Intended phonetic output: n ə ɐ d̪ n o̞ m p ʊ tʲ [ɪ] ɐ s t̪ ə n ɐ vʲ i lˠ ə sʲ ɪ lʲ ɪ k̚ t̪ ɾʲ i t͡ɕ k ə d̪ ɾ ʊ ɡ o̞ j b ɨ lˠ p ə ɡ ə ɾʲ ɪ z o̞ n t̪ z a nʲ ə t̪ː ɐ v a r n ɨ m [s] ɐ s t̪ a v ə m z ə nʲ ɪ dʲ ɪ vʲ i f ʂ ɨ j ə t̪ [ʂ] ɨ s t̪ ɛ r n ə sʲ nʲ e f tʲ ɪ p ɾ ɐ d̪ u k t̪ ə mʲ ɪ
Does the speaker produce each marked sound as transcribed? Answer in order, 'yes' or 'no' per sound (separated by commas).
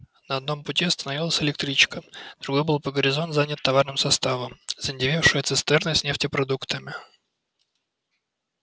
no, yes, no